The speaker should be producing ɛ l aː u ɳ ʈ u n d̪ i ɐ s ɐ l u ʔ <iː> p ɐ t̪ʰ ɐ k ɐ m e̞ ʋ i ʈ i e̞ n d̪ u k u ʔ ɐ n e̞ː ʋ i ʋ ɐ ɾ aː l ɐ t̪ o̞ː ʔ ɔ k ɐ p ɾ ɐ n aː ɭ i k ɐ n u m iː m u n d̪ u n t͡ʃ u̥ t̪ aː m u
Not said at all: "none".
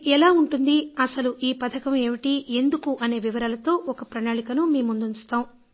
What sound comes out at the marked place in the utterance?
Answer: iː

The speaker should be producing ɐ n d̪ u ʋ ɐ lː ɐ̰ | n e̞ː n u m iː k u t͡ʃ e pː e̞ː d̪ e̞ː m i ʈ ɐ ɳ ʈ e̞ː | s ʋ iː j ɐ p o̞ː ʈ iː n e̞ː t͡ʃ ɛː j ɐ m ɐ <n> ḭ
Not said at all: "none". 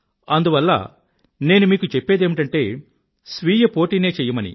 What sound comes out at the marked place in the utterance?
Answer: n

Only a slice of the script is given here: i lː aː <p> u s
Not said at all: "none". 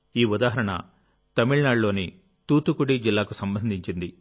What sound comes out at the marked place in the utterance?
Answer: k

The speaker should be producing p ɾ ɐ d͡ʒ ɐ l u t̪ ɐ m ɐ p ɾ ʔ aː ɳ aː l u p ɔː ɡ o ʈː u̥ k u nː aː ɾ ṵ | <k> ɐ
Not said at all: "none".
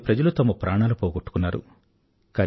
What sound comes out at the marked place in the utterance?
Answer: k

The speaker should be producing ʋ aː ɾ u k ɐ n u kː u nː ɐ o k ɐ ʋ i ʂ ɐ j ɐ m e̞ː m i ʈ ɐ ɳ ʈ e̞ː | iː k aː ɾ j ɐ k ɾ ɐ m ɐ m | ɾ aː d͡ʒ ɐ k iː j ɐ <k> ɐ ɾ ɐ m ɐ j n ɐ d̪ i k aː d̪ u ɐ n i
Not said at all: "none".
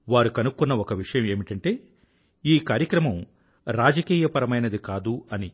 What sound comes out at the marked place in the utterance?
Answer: p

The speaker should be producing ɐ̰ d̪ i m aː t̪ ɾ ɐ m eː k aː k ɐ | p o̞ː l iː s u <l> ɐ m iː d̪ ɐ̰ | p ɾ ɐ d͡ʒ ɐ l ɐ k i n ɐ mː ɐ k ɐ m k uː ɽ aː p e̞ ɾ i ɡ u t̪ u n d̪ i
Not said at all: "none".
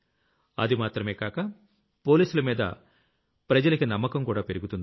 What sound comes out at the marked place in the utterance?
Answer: l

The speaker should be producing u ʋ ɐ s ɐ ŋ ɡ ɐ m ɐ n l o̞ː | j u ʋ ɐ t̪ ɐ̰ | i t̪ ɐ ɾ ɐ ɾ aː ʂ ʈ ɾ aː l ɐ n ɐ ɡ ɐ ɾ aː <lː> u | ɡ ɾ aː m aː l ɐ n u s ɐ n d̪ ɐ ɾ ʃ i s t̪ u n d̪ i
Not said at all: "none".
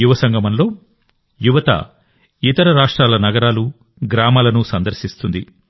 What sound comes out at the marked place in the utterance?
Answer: l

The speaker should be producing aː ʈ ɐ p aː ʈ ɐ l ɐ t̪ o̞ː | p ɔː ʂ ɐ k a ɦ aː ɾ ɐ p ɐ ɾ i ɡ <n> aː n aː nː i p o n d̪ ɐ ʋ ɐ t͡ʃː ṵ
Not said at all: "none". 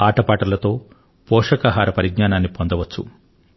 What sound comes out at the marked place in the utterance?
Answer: ɲ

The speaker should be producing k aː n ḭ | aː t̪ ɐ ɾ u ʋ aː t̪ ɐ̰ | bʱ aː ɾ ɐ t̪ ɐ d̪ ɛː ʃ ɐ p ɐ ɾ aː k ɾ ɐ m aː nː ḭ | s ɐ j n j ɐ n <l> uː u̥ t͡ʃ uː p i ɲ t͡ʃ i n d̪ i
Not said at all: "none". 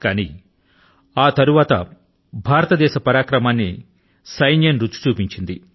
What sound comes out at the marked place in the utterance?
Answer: ɾ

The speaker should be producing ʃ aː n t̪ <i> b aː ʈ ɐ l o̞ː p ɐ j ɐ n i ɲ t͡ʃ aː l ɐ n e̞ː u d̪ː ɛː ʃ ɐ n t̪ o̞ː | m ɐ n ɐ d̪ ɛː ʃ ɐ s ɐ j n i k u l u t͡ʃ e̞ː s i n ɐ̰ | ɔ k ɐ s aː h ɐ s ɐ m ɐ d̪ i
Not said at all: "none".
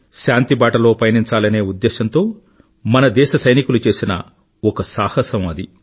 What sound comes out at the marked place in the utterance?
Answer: i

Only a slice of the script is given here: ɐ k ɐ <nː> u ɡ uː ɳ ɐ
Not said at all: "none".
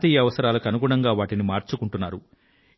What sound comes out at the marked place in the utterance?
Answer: n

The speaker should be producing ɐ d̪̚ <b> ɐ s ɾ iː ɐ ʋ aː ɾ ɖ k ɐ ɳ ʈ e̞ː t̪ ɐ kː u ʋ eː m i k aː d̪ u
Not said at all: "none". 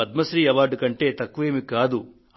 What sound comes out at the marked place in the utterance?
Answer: m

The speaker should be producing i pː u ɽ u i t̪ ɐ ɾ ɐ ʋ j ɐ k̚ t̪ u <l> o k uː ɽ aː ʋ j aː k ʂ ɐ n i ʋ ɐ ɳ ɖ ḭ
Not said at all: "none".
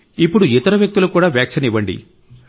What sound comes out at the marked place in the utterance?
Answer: l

